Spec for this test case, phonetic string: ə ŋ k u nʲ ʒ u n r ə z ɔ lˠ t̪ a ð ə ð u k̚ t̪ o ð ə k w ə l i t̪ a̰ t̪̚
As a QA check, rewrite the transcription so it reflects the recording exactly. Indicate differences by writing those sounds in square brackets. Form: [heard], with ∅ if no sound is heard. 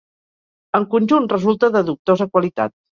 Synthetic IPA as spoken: ə ŋ k u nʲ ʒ u n r ə z [u] lˠ t̪ [ə] ð ə ð u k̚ t̪ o [z] ə k w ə l i t̪ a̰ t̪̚